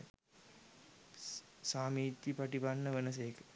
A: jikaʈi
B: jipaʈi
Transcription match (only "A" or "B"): B